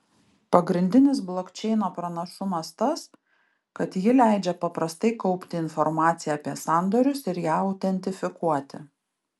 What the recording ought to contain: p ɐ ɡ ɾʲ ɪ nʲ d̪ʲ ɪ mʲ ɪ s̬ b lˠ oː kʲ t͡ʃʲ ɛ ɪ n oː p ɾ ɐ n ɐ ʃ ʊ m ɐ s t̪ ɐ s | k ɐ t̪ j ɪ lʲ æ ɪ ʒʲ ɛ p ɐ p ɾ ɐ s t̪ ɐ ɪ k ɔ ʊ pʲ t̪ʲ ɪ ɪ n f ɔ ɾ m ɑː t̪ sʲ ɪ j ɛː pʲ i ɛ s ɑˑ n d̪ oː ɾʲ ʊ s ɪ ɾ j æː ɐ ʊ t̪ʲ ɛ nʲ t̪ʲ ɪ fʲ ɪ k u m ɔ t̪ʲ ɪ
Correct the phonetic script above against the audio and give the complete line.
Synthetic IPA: p ɐ ɡ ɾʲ ɪ nʲ d̪ʲ ɪ nʲ ɪ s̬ b lˠ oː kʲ t͡ʃʲ ɛ ɪ n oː p ɾ ɐ n ɐ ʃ ʊ m ɐ s t̪ ɐ s | k ɐ t̪ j ɪ lʲ æ ɪ d͡ʒʲ ɛ p ɐ p ɾ ɐ s t̪ ɐ ɪ k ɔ ʊ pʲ t̪ʲ ɪ ɪ n f ɔ ɾ m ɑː t̪ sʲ ɪ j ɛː pʲ i ɛ s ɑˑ n d̪ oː ɾʲ ʊ s ɪ ɾ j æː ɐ ʊ t̪ʲ ɛ nʲ t̪ʲ ɪ fʲ ɪ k u ɔ t̪ʲ ɪ